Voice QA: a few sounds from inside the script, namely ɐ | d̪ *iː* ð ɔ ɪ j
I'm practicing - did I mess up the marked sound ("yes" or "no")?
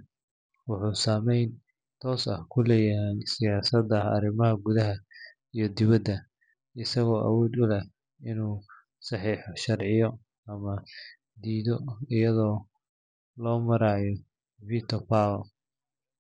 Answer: no